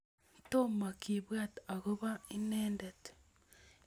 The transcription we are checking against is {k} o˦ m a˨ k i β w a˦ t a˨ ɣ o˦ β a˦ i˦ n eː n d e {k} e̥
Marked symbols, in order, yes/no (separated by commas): no, no